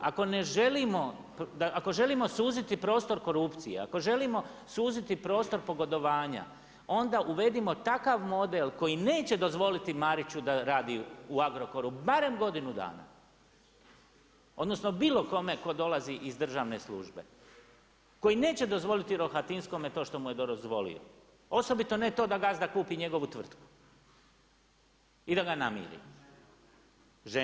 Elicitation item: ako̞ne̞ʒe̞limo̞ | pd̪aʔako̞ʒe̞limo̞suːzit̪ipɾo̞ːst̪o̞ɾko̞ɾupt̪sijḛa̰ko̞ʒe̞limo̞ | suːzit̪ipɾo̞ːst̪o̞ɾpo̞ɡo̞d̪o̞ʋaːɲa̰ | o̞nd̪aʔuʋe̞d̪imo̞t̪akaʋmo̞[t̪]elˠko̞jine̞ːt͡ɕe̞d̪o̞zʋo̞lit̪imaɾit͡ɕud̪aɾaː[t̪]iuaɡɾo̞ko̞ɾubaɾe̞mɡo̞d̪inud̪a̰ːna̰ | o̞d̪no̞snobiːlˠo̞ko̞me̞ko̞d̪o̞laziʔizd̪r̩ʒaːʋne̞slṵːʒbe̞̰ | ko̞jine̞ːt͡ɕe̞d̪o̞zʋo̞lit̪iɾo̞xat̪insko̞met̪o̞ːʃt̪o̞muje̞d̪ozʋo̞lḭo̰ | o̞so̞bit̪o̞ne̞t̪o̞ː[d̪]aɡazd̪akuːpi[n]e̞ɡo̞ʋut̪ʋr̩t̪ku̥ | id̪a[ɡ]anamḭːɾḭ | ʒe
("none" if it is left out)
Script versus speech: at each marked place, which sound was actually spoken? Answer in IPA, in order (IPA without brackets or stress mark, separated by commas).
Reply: d̪, d̪, d̪, ɲ, ɡ